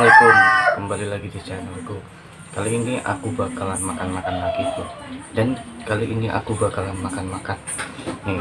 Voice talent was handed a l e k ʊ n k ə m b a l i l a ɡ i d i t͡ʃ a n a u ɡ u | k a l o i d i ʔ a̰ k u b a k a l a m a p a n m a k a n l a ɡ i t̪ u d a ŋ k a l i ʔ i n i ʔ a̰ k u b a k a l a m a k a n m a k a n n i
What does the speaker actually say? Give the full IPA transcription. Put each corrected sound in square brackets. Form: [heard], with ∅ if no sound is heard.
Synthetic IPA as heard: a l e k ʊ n k ə m b a l i l a ɡ i d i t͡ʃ a n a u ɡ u | k a l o i [n] i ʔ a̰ k u b a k a l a m a [k] a n m a k a n l a ɡ i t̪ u d a [n] k a l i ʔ i n i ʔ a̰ k u b a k a l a m a k a n m a k a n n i

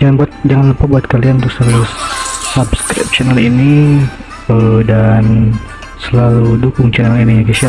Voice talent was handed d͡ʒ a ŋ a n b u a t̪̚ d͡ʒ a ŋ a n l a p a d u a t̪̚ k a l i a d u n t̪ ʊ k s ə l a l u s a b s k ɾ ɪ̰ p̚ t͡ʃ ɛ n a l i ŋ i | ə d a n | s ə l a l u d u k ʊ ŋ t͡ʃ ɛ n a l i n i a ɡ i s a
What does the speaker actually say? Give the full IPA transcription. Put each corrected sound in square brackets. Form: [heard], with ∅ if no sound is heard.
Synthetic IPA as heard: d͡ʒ a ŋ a n b u a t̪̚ d͡ʒ a ŋ a n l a p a [b] u a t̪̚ k a l i a [n] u n t̪ ʊ k s ə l a l u s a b s k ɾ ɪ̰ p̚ t͡ʃ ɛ n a l i [n] i | ə d a n | s ə l a l u d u k ʊ ŋ t͡ʃ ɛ n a l i n i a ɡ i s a

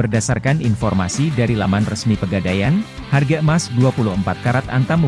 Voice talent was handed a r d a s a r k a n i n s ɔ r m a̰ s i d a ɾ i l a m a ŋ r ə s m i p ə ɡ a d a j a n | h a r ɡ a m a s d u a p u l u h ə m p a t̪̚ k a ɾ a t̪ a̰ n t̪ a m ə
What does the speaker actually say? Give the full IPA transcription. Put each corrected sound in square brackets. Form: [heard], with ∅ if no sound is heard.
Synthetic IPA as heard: [ə] r d a s a r k a n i n [f] ɔ r m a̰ s i d a ɾ i l a m a [n] r ə s m i p ə ɡ a d a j a n | h a r ɡ a m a s d u a p u l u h ə m p a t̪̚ k a ɾ a t̪ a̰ n t̪ a m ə

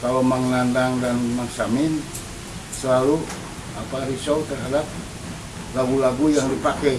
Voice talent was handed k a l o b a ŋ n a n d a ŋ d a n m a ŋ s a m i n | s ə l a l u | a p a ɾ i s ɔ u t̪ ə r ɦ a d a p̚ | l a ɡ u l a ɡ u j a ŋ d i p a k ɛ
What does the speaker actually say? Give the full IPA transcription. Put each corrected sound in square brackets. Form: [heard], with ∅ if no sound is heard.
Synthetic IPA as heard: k a l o [m] a ŋ n a n d a ŋ d a n m a ŋ s a m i n | s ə l a l u | a p a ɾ i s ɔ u t̪ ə r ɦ a d a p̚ | l a ɡ u l a ɡ u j a ŋ d i p a k ɛ

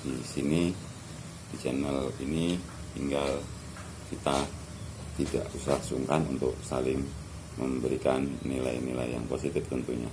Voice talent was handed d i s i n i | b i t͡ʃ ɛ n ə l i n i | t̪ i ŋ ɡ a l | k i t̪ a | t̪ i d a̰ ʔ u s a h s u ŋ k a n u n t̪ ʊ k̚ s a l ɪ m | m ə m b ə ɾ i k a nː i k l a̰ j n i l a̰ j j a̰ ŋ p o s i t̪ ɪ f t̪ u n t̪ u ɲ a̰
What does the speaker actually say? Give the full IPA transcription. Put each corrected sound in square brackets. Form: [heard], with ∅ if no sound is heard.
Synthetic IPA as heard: d i s i n i | [d] i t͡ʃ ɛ n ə l i n i | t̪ i ŋ ɡ a l | k i t̪ a | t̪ i d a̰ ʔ u s a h s u ŋ k a n u n t̪ ʊ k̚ s a l ɪ [ŋ] | m ə m b ə ɾ i k a nː i [∅] l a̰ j n i l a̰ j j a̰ ŋ p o s i t̪ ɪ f t̪ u n t̪ u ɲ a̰

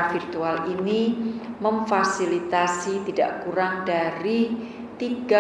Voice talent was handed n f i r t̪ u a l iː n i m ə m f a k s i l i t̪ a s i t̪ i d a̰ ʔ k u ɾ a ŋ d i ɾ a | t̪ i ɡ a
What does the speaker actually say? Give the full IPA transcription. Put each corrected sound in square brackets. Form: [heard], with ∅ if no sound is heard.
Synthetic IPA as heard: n f i r t̪ u a l [i] n i m ə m f a [∅] s i l i t̪ a s i t̪ i d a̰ ʔ k u ɾ a ŋ d [a] ɾ [i] | t̪ i ɡ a

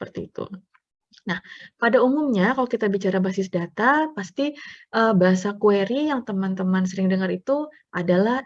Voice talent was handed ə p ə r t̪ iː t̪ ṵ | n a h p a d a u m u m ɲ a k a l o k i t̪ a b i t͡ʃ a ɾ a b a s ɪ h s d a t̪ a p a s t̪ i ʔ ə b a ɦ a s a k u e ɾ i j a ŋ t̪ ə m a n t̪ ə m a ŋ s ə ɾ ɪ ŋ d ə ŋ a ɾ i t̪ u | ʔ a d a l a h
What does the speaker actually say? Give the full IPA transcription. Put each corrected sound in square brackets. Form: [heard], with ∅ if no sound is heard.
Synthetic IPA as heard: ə p ə r t̪ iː t̪ ṵ | n a h p a d a u m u m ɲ a k a l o k i t̪ a b i t͡ʃ a ɾ a b a s ɪ [∅] s d a t̪ a p a s t̪ i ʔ ə b a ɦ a s a k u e ɾ i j a ŋ t̪ ə m a n t̪ ə m a [n] s ə ɾ ɪ ŋ d ə ŋ a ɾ i t̪ u | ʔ a d a l a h

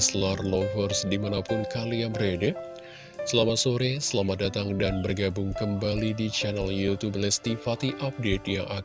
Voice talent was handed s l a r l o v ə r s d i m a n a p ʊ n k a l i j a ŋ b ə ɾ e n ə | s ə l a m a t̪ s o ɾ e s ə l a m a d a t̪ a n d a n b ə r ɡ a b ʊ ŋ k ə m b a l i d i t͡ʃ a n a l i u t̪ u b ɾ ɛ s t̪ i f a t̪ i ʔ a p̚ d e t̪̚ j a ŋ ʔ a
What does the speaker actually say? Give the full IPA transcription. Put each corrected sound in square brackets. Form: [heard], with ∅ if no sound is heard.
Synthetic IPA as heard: s l a r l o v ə r s d i m a n a p ʊ n k a l i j a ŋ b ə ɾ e [d] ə | s ə l a m a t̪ s o ɾ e s ə l a m a d a t̪ a [ŋ] d a n b ə r ɡ a b ʊ ŋ k ə m b a l i d i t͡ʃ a n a l [j] u t̪ u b [l] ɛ s t̪ i f a t̪ i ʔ a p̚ d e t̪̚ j a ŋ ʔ a

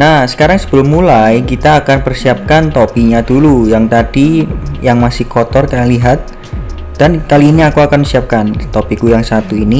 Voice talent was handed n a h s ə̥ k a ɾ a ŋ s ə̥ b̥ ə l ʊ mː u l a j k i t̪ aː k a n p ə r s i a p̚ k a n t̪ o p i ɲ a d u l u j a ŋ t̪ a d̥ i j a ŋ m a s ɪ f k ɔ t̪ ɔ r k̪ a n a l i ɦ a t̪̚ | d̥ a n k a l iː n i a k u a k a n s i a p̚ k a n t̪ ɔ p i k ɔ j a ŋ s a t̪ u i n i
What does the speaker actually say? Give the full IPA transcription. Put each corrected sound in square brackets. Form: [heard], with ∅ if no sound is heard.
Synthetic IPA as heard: n a h s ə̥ k a ɾ a ŋ s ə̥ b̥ ə l ʊ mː u l a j k i t̪ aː k a n p ə r s i a p̚ k a n t̪ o p i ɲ a d u l u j a ŋ t̪ a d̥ i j a ŋ m a s ɪ [h] k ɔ t̪ ɔ r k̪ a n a l i ɦ a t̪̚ | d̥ a n k a l iː n i a k u a k a n s i a p̚ k a n t̪ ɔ p i k [u] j a ŋ s a t̪ u i n i

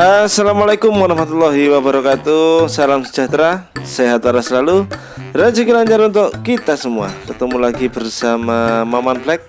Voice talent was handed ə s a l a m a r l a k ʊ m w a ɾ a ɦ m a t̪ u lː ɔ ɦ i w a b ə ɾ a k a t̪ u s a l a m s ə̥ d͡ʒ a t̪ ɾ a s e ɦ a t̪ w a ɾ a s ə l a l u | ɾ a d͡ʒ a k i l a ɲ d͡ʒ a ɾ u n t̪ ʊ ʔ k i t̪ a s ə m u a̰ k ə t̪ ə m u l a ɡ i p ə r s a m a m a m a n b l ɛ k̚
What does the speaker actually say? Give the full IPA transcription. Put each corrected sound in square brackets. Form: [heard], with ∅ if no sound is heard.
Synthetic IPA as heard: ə s a l a m a [∅] l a k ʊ m w a ɾ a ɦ m a t̪ u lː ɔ ɦ i w a b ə ɾ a k a t̪ u s a l a m s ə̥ d͡ʒ a t̪ ɾ a s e ɦ a t̪ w a ɾ a s ə l a l u | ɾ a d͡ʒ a k i l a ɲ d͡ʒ a ɾ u n t̪ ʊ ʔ k i t̪ a s ə m u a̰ k ə t̪ ə m u l a ɡ i [b] ə r s a m a m a m a n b l ɛ k̚

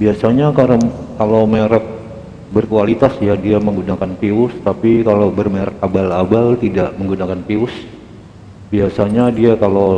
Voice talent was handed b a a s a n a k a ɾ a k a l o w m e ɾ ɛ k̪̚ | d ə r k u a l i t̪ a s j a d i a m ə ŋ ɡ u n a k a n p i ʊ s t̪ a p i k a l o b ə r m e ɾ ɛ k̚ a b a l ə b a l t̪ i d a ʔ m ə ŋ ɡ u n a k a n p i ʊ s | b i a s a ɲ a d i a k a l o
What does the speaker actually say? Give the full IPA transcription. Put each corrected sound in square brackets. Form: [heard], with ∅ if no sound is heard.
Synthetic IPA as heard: b [i] a s a [ɲ] a k a ɾ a k a l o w m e ɾ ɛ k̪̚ | [b] ə r k u a l i t̪ a s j a d i a m ə ŋ ɡ u n a k a n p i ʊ s t̪ a p i k a l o b ə r m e ɾ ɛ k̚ a b a l [a] b a l t̪ i d a ʔ m ə ŋ ɡ u n a k a n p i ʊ s | b i a s a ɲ a d i a k a l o

